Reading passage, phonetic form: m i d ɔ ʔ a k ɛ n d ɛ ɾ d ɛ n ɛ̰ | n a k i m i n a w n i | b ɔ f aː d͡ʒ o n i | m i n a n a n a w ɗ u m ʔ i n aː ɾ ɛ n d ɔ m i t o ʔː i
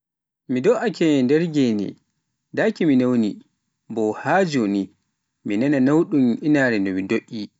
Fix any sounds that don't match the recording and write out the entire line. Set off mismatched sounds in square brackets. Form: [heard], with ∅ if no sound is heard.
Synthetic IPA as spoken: m i d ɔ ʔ a k ɛ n d ɛ ɾ [ɡ] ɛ n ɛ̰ | [d] a k i m i n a w n i | b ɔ [h] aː d͡ʒ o n i | m i n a n a n a w ɗ u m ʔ i n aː ɾ ɛ n d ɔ m i [d] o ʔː i